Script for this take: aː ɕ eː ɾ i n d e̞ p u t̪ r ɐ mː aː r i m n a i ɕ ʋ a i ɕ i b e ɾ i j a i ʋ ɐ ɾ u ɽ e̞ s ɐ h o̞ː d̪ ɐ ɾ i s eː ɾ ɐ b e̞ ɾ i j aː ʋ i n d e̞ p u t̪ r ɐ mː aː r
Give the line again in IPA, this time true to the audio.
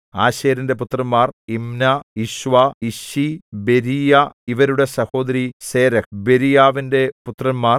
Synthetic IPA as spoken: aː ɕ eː ɾ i n d e̞ p u t̪ r ɐ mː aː r i m n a i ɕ ʋ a i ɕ i b e ɾ i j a i ʋ ɐ ɾ u ɽ e̞ s ɐ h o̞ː d̪ ɐ ɾ i s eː ɾ ɐ b e̞ ɾ i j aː ʋ i n d e̞ p u t̪ r ɐ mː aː r